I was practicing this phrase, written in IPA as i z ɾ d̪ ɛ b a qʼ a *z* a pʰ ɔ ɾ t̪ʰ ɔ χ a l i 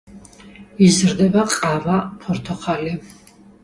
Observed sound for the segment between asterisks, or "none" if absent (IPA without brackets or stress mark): v